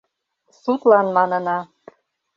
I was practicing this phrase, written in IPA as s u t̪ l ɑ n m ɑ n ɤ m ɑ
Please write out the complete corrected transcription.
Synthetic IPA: s u t̪ l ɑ n m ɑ n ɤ n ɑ